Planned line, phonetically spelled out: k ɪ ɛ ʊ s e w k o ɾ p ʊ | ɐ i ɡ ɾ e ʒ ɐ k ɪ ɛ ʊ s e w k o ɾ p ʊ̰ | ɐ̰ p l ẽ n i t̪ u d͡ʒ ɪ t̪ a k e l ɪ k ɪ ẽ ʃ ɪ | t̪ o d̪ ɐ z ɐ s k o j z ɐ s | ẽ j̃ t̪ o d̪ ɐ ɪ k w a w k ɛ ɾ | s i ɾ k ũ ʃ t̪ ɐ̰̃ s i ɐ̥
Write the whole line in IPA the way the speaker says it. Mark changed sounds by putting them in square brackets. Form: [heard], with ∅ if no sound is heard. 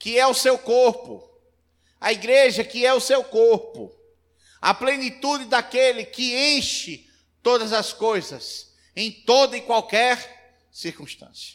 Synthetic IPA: k ɪ ɛ ʊ s e w k o ɾ p ʊ | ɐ i ɡ ɾ e ʒ ɐ k ɪ ɛ ʊ s e w k o ɾ p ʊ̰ | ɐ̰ p l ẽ n i t̪ u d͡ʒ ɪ [d̪] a k e l ɪ k ɪ ẽ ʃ ɪ | t̪ o d̪ ɐ z ɐ s k o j z ɐ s | ẽ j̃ t̪ o d̪ ɐ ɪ k w a w k ɛ ɾ | s i ɾ k ũ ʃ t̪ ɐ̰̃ s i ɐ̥